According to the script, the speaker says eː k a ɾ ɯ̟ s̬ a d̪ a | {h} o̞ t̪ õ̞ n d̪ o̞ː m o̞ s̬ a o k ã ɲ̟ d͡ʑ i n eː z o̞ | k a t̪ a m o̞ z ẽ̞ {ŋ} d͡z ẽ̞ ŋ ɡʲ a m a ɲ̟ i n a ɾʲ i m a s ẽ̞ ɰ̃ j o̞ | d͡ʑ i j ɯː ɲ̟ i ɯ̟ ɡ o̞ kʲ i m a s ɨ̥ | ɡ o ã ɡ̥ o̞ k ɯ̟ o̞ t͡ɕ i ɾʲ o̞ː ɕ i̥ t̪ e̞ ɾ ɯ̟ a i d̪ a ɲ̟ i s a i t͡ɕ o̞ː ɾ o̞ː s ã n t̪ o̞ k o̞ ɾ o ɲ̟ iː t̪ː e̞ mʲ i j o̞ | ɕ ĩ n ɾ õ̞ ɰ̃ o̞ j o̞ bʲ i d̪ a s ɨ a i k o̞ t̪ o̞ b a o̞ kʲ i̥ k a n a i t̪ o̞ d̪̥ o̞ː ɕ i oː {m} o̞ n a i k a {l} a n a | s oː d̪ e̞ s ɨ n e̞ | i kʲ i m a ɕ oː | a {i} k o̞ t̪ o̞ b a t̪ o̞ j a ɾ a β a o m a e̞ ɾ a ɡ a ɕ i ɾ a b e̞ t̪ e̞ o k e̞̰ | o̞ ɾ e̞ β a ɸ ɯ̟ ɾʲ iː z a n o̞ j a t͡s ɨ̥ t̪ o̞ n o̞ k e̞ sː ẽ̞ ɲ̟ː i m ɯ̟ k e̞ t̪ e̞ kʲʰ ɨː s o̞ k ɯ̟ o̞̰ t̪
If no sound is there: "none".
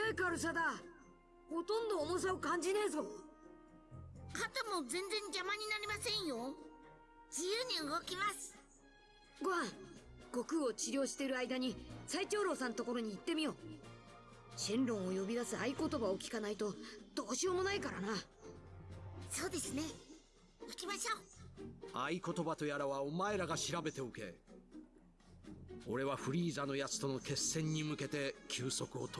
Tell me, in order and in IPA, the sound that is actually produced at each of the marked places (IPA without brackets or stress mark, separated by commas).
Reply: h, n, m, ɾ, i